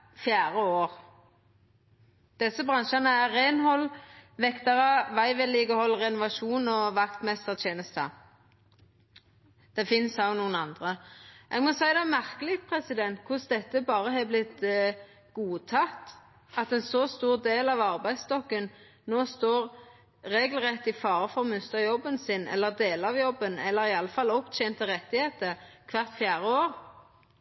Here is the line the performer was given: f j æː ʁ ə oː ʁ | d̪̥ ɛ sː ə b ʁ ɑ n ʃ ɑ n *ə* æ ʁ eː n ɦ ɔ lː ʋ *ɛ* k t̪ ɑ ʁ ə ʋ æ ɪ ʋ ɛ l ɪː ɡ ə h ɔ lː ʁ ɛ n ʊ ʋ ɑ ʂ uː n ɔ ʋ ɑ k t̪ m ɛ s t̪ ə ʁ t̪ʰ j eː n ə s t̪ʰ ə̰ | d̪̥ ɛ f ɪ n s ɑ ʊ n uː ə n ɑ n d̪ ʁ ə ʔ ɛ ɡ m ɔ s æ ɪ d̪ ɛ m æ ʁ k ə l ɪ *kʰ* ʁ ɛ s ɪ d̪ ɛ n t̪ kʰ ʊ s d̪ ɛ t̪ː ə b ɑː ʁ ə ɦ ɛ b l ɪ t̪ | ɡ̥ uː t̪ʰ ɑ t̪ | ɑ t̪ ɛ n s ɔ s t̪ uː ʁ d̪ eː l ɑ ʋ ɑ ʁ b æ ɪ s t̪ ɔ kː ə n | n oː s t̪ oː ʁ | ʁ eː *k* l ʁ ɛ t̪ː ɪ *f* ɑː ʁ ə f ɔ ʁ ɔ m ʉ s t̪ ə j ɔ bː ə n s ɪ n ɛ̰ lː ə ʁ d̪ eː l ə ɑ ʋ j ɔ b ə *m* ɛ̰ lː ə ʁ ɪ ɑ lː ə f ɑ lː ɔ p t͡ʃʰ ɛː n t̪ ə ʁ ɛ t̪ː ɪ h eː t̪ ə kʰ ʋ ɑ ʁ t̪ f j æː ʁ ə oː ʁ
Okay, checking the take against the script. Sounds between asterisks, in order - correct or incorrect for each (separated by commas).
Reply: correct, correct, incorrect, incorrect, correct, incorrect